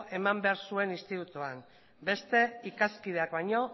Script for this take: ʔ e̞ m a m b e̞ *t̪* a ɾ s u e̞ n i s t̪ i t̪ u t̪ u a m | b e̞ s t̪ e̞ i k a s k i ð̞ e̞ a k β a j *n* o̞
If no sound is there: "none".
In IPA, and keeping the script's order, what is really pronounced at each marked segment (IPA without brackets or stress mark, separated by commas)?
none, ɲ